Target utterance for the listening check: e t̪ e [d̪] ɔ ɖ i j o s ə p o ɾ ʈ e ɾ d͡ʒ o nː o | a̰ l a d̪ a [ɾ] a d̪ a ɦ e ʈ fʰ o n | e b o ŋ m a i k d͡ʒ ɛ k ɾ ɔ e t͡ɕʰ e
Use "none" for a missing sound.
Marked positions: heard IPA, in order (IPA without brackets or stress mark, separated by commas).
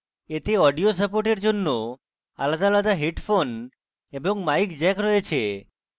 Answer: none, l